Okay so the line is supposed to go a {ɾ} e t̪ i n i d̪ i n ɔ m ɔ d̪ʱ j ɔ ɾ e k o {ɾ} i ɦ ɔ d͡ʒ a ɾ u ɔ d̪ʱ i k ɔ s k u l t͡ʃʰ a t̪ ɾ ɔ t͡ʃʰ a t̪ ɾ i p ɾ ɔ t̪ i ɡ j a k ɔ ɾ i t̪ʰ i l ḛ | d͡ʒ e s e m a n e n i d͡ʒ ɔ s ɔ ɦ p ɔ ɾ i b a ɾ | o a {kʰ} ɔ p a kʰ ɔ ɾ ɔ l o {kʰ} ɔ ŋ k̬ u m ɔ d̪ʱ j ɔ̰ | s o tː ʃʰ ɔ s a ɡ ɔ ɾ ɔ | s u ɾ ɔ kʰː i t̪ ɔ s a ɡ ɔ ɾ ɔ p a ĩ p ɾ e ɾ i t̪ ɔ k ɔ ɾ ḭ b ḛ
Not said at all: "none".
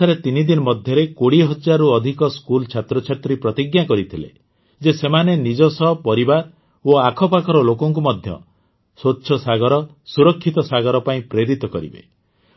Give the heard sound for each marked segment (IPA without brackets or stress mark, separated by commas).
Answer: ɾ, ɽ, kʰ, k